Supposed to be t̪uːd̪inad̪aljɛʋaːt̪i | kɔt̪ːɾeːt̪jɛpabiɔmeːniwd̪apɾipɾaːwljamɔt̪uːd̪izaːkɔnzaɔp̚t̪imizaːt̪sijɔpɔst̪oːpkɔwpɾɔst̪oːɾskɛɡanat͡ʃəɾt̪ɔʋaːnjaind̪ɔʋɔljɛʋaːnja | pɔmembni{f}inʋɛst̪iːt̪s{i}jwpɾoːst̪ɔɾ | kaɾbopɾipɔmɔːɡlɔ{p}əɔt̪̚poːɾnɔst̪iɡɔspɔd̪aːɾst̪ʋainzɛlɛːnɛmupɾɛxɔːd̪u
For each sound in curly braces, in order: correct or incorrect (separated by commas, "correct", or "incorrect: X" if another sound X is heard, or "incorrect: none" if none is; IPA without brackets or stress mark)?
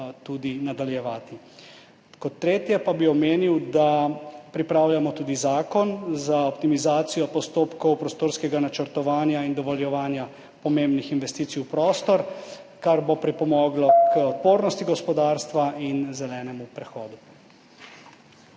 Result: incorrect: x, correct, incorrect: k